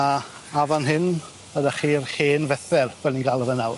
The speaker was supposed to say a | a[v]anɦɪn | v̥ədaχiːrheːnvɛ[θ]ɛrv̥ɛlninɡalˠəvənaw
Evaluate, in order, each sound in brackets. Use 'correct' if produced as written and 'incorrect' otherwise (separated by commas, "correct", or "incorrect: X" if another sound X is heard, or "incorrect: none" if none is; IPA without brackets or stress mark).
correct, correct